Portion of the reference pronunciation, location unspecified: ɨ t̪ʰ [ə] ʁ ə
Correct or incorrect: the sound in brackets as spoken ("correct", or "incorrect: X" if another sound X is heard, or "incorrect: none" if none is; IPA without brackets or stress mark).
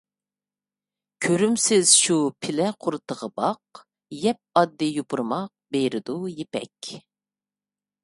correct